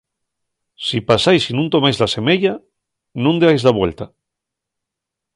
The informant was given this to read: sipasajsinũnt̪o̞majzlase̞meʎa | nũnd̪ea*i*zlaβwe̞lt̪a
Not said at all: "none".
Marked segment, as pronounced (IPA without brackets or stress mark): j